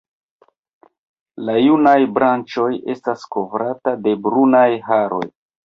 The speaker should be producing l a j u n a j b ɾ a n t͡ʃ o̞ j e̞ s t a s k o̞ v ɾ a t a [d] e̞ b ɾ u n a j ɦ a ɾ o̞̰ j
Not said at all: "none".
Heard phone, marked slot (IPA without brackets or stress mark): d